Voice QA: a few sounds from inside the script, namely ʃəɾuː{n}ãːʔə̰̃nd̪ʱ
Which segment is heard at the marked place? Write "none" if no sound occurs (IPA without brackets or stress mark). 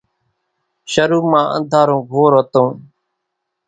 m